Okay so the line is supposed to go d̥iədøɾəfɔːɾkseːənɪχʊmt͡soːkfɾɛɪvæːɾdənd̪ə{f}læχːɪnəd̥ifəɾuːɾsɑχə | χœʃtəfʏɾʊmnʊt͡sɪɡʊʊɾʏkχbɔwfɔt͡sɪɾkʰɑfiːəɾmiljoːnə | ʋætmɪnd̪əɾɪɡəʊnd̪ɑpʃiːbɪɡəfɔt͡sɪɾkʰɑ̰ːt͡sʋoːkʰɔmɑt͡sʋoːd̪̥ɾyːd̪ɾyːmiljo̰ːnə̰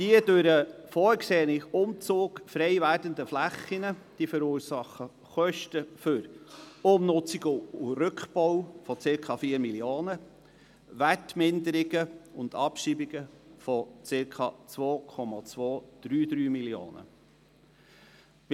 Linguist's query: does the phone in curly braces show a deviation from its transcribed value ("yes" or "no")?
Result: no